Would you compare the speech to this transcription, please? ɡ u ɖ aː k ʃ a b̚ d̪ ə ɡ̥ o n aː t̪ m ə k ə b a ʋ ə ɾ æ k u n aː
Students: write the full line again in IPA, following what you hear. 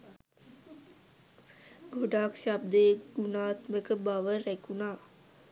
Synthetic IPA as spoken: ɡ o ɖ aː k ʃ a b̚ d̪ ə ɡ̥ u n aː t̪ m ə k ə b a ʋ ə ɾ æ k u n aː

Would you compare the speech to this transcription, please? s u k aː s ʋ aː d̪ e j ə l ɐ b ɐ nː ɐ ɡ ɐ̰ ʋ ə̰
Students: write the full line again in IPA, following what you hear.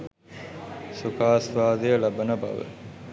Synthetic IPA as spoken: s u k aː s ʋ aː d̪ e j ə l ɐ b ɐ n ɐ b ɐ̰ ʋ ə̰

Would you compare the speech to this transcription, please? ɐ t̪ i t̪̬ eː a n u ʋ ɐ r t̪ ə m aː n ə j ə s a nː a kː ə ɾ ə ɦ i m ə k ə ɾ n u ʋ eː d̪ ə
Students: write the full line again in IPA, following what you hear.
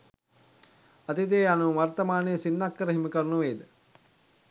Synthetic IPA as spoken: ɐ t̪ i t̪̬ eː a n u ʋ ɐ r t̪ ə m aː n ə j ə s i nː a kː ə ɾ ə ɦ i m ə k ə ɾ n u ʋ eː d̪ ə

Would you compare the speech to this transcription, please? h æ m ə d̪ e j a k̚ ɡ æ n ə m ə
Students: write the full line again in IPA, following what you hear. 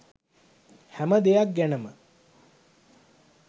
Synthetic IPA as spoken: h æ m ə d̪ e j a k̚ ɡ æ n ə m ə

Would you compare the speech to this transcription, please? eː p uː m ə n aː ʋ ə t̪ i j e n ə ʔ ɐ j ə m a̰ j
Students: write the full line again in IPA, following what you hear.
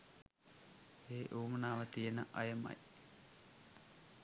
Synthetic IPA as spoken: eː ʔ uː m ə n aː ʋ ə t̪ i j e n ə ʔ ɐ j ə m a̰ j

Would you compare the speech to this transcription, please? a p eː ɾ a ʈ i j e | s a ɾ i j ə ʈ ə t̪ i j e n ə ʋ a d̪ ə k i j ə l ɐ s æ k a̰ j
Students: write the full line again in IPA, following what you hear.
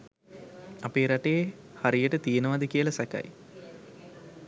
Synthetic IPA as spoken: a p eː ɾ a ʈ e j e | h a ɾ i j ə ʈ ə t̪ i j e n ə ʋ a d̪ ə k i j ə l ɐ s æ k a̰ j

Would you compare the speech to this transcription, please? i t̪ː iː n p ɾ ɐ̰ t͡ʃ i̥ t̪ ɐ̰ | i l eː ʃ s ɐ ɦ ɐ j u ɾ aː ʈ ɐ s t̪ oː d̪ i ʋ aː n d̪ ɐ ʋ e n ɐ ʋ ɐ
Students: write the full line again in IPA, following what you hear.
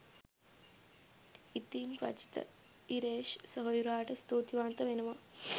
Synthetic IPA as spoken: i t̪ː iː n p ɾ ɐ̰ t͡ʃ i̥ t̪ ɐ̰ | i ɾ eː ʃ s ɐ ɦ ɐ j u ɾ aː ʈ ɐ s t̪ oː t̪ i ʋ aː n t̪ ɐ ʋ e n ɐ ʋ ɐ

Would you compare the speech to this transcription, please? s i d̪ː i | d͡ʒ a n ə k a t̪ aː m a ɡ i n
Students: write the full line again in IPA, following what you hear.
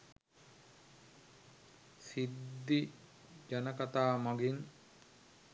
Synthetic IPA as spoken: s i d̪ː i | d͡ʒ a n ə k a t̪ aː m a ɡ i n

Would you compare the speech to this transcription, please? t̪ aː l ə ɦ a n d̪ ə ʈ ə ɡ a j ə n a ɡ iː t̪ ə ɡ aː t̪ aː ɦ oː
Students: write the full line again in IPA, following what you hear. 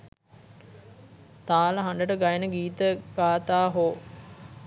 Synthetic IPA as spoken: t̪ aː l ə ɦ a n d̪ ə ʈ ə ɡ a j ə n ə ɡ iː t̪ ə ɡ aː t̪ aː ɦ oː

